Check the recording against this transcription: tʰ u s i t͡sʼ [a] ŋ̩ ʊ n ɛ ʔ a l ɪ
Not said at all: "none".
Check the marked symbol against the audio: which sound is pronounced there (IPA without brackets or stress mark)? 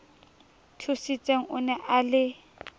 e